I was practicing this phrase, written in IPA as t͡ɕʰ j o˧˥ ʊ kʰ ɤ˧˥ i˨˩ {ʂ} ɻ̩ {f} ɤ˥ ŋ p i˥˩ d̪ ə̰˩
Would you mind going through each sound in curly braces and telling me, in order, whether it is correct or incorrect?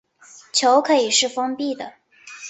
correct, correct

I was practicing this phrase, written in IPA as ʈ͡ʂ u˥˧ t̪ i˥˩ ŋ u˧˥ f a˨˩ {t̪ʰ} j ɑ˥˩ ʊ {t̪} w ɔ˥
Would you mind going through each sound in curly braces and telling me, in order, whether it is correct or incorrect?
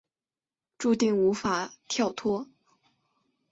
correct, incorrect: t̪ʰ

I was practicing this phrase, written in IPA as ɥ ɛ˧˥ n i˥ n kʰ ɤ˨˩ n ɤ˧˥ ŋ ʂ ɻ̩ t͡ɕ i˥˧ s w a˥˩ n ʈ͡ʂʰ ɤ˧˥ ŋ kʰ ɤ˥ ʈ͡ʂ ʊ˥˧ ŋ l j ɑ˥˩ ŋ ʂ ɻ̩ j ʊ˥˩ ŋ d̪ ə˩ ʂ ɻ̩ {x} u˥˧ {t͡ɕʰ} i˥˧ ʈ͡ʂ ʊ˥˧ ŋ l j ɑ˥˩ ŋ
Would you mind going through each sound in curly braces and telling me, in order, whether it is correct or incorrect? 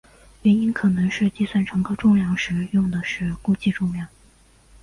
incorrect: k, incorrect: t͡ɕ

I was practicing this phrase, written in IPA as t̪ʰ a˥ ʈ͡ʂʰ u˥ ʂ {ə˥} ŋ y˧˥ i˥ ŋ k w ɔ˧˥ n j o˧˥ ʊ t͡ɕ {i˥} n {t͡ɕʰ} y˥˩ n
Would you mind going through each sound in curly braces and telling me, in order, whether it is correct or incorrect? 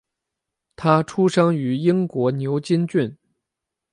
incorrect: ɑ˥, correct, incorrect: t͡ɕ

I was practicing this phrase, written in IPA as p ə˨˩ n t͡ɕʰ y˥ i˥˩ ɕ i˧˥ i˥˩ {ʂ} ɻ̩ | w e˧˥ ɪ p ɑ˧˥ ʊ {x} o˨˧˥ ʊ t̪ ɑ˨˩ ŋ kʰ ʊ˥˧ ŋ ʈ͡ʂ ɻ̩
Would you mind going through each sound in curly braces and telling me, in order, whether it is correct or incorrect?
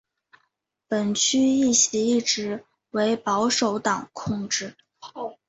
incorrect: ʈ͡ʂ, incorrect: ʂ

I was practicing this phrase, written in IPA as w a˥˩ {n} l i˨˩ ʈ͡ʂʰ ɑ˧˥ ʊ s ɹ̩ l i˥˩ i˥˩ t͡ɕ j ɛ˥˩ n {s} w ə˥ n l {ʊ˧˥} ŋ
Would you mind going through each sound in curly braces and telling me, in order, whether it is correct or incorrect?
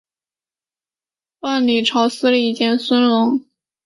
correct, correct, correct

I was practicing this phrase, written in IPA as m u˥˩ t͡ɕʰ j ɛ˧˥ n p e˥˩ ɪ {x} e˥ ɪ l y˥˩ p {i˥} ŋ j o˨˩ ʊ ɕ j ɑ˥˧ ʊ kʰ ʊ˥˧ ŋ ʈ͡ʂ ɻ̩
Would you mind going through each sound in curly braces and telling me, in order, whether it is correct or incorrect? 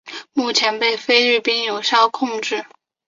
incorrect: f, correct

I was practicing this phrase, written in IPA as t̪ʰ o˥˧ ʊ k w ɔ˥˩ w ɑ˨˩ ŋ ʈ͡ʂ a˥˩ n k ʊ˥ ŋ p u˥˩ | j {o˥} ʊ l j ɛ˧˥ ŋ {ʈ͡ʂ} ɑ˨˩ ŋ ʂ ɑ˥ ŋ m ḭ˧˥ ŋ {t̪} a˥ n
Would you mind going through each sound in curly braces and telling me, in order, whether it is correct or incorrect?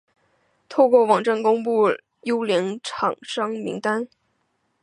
correct, incorrect: ʈ͡ʂʰ, correct

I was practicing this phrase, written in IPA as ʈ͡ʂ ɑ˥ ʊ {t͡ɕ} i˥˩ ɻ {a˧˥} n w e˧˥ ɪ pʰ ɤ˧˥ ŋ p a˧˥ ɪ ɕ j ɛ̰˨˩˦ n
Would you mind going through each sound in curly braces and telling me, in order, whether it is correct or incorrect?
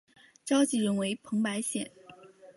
correct, incorrect: ə˧˥

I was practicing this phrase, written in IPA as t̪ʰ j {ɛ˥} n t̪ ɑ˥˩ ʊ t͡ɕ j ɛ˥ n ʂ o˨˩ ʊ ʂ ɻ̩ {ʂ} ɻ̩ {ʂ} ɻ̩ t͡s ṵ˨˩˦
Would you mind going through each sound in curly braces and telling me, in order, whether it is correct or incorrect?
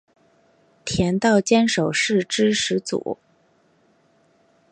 incorrect: ɛ˧˥, incorrect: ʈ͡ʂ, correct

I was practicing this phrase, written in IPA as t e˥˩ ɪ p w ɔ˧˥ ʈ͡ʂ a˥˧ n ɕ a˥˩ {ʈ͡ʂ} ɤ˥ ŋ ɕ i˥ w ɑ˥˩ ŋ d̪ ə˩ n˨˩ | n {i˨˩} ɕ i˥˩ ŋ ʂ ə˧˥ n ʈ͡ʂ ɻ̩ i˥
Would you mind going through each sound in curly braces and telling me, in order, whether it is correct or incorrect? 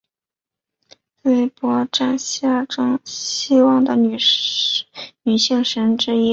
correct, incorrect: y˨˩

